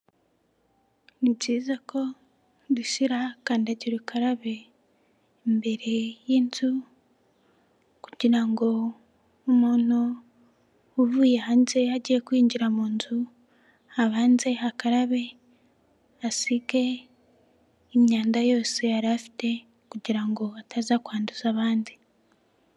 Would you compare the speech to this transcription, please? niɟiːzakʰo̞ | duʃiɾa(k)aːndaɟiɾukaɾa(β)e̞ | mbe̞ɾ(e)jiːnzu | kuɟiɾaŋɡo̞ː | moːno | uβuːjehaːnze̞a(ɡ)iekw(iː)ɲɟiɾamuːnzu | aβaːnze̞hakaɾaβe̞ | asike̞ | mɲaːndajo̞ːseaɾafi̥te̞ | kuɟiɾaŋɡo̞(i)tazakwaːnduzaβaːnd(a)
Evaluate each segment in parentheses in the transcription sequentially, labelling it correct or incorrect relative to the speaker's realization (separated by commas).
correct, correct, correct, incorrect, correct, incorrect, incorrect